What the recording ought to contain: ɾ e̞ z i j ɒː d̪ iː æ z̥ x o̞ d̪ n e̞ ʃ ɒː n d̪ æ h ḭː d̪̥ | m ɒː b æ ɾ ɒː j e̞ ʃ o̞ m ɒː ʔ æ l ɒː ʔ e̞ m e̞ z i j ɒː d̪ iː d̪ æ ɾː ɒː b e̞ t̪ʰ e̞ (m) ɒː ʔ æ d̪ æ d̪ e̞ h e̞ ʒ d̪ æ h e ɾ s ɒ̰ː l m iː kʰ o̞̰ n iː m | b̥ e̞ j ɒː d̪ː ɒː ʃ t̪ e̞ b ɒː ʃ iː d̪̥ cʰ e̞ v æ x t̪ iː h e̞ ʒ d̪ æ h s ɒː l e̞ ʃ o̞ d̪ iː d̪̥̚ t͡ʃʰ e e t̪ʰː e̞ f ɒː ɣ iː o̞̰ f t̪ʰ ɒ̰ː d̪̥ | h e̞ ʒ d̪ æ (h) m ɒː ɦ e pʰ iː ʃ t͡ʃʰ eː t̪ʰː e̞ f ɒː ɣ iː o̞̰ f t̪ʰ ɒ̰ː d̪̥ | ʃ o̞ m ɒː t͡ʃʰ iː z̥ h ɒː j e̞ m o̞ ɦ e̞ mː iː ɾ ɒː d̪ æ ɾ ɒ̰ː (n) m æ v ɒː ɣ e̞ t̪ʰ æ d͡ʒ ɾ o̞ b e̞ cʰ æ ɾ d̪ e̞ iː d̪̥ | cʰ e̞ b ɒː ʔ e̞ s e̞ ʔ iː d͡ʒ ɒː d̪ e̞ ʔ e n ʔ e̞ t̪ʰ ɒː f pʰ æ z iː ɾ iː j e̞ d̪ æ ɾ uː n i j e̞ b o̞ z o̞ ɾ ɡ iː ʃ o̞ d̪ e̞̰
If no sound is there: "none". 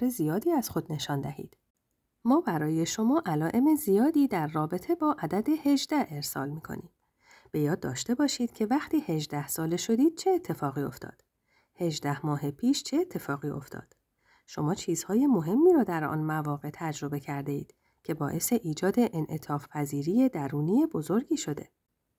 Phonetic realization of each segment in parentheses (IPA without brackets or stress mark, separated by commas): b, h, n